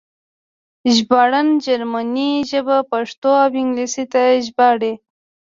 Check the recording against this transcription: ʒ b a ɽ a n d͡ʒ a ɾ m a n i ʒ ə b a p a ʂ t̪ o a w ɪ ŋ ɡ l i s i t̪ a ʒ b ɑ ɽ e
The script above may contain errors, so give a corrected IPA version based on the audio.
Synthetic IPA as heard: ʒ b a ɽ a n d͡ʒ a ɾ m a n i ʒ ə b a p a ʂ t̪ o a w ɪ ŋ ɡ l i s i t̪ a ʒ b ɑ ɽ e